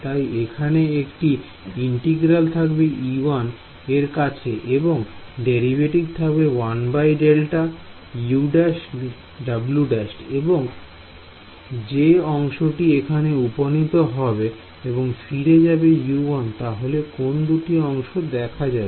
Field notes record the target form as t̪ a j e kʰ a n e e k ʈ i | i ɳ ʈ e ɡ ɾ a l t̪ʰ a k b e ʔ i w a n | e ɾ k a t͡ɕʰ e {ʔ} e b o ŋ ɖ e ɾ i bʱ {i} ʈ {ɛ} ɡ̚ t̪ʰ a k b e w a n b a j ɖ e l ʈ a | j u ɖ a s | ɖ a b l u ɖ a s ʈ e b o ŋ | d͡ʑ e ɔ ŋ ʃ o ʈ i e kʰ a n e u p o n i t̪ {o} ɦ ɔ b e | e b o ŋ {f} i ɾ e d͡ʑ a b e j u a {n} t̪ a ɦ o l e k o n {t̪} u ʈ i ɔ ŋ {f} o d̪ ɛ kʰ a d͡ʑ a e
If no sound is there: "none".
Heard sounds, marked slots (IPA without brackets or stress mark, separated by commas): ʔ, e, i, o, f, n, d̪, ʃ